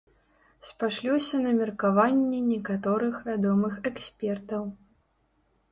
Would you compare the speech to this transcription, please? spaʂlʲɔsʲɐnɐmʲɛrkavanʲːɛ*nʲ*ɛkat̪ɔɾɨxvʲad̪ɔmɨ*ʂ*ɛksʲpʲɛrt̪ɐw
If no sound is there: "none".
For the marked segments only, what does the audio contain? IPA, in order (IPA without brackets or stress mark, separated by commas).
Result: nʲ, x